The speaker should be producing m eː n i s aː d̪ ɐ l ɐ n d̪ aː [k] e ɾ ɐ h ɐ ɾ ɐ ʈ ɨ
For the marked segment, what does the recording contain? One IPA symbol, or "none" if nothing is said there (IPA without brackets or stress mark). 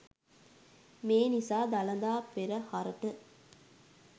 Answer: p